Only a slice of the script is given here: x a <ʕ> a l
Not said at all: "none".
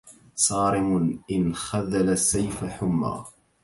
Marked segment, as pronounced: ð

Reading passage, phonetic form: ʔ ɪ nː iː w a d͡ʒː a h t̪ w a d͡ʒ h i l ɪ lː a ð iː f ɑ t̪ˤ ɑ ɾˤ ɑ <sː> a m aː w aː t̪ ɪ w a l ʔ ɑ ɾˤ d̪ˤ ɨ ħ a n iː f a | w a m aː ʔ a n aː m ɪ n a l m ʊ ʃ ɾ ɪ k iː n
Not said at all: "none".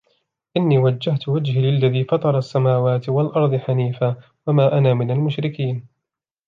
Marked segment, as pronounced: sː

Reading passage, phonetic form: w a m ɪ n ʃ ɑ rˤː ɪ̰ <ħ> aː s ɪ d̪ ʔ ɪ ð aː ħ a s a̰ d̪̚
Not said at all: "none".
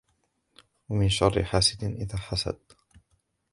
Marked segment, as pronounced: ħ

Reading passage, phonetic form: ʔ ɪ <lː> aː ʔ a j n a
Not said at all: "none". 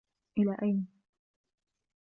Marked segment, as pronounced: l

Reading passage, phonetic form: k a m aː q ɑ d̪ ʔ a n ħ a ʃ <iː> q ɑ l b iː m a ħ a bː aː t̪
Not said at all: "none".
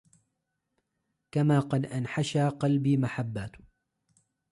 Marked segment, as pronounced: aː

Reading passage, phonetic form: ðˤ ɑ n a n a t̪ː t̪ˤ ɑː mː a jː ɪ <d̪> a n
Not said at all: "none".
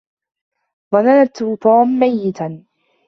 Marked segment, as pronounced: t̪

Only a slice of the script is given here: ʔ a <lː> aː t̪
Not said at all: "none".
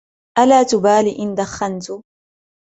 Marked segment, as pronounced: l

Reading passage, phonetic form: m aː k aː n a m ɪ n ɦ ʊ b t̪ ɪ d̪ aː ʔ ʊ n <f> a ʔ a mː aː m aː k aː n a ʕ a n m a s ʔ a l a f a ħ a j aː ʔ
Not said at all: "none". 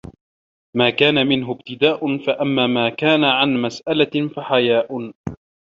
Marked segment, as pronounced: f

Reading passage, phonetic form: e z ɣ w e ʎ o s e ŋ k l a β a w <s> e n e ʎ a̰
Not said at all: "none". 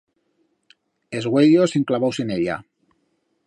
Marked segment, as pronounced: s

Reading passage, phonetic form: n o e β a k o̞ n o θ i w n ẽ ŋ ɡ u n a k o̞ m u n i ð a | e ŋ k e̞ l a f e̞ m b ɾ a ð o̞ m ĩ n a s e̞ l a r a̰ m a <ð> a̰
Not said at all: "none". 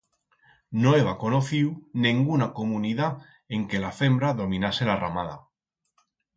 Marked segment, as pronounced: ð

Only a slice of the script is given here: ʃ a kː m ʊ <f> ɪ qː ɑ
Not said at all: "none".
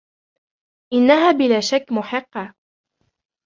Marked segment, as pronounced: ħ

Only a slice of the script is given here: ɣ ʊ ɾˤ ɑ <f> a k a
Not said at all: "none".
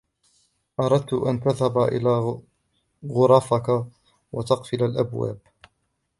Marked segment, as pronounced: f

